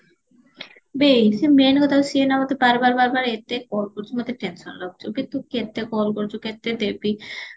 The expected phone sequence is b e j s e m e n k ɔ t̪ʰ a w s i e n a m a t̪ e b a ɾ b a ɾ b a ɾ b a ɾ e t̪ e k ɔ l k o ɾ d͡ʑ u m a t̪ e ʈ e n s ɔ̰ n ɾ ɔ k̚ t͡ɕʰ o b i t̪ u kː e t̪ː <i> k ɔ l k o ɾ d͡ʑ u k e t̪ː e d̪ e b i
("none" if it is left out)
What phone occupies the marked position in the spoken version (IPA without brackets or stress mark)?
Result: e